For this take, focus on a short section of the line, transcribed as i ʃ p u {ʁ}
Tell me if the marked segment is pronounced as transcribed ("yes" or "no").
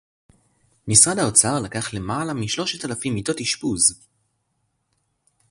no